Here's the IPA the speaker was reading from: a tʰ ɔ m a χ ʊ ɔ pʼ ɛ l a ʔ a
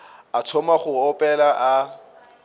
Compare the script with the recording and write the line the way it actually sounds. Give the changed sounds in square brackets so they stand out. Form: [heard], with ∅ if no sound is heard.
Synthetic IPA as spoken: a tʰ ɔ m a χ ʊ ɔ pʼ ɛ l a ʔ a